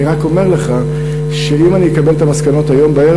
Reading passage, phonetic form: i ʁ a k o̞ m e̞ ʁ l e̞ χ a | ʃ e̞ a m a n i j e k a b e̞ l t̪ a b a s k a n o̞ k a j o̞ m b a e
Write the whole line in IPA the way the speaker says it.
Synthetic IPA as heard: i ʁ a k o̞ m e̞ ʁ l e̞ χ a | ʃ e̞ i m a n i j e k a b e̞ l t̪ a m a s k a n o̞ t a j o̞ m b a e